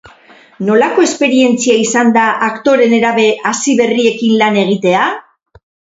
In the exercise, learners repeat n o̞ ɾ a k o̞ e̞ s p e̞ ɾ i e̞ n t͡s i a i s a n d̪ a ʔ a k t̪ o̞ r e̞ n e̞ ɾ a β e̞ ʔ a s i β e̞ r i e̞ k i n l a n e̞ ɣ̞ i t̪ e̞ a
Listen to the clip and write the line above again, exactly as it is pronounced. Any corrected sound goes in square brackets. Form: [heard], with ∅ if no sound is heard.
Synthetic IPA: n o̞ [l] a k o̞ e̞ s p e̞ ɾ i e̞ n t͡s i a i s a n d̪ a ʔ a k t̪ o̞ [ɾ] e̞ n e̞ ɾ a β e̞ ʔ a s i β e̞ r i e̞ k i n l a n e̞ ɣ̞ i t̪ e̞ a